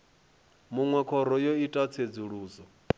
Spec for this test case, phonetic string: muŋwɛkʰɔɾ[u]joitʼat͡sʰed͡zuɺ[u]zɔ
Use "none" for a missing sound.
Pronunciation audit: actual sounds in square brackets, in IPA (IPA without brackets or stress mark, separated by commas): ɔ, uː